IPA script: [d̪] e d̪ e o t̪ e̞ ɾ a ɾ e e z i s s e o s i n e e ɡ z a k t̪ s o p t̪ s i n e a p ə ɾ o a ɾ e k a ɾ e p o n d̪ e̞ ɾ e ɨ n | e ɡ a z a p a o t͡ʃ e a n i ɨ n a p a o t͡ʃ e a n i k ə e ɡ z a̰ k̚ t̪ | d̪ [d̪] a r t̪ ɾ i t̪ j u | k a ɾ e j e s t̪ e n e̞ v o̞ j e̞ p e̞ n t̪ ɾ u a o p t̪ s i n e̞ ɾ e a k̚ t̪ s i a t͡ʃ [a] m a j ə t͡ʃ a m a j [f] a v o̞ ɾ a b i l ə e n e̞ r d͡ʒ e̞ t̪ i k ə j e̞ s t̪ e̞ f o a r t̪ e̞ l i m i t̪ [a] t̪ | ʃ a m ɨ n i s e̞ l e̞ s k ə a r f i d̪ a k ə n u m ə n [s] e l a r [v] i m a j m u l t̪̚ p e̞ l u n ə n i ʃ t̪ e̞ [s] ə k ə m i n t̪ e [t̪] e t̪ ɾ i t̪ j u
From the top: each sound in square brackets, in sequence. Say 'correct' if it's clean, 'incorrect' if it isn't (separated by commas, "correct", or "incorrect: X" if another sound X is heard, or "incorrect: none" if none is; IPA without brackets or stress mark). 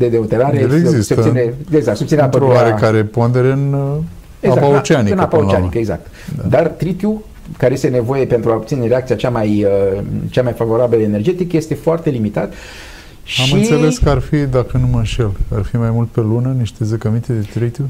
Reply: correct, correct, correct, correct, correct, incorrect: ʃ, incorrect: f, incorrect: z, incorrect: d̪